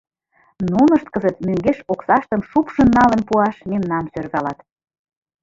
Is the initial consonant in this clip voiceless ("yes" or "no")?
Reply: no